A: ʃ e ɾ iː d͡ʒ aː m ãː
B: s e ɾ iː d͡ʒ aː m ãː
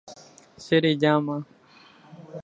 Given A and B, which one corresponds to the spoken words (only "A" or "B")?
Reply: B